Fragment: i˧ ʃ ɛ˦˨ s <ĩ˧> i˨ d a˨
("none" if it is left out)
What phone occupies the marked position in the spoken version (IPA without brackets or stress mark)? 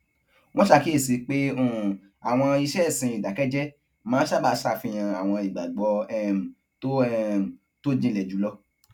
ĩ˧